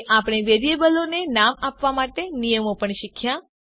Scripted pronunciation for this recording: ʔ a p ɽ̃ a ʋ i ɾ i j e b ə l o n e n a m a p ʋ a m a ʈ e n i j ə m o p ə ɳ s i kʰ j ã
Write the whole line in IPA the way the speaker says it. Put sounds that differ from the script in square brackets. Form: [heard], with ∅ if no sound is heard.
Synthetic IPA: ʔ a p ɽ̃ [e] ʋ [e] ɾ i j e b ə l o n e n a m a p ʋ a m a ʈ e n i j ə m o p ə ɳ [ʃ] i kʰ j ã